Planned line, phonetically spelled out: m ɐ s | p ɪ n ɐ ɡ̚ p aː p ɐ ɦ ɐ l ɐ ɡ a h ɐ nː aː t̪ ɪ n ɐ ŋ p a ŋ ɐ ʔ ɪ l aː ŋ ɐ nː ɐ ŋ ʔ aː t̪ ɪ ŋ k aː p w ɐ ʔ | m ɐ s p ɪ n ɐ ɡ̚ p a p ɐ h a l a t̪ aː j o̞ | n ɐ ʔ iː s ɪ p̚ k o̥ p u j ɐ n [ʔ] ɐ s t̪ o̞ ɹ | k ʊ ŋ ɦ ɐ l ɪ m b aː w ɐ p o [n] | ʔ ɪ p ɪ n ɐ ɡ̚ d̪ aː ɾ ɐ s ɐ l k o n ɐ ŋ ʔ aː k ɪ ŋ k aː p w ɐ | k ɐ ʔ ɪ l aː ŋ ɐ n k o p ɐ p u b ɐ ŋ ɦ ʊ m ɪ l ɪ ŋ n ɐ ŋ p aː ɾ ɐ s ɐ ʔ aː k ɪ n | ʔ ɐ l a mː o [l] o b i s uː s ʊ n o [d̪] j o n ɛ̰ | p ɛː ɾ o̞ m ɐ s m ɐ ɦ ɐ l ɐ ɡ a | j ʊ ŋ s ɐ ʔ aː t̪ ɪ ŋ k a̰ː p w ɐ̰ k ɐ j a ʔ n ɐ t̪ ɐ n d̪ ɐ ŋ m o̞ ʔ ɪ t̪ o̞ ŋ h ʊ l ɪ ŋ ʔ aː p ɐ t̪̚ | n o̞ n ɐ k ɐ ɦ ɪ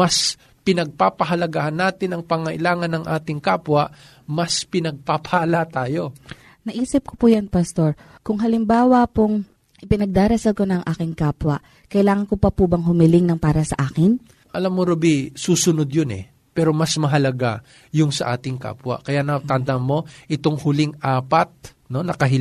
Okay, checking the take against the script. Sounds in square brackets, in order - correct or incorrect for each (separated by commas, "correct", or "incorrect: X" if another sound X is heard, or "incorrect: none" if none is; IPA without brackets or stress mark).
incorrect: p, incorrect: ŋ, incorrect: ɾ, correct